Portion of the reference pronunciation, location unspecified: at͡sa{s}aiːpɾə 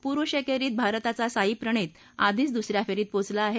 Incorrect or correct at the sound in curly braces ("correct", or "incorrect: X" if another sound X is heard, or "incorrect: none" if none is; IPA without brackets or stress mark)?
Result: correct